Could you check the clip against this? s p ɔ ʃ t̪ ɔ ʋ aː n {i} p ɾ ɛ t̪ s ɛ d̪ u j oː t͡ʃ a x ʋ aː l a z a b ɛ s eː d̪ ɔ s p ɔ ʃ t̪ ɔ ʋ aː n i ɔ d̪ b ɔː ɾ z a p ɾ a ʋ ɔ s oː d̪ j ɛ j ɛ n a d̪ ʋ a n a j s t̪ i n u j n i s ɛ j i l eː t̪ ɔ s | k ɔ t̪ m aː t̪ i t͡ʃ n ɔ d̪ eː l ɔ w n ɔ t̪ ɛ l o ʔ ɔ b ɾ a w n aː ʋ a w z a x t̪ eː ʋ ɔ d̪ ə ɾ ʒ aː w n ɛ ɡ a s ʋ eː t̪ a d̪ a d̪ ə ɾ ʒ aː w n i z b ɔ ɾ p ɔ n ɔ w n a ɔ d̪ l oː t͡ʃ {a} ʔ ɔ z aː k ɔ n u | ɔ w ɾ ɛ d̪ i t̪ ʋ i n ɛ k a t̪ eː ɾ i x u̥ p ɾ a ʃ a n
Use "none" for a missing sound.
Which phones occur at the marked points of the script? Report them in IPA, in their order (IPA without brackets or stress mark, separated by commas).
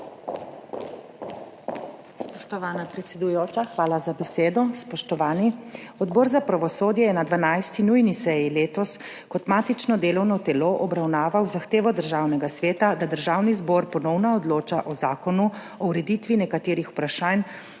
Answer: a, a